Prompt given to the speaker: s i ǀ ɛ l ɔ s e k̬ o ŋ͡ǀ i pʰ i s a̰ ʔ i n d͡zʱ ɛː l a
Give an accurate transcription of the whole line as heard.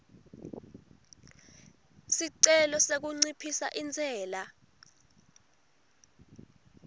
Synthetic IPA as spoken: s i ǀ ɛ l ɔ s e k̬ u ŋ͡ǀ i pʰ i s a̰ ʔ i n d͡zʱ ɛː l a